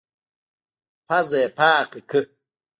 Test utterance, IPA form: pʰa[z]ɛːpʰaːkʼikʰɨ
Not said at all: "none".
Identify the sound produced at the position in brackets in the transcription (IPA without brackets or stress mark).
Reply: z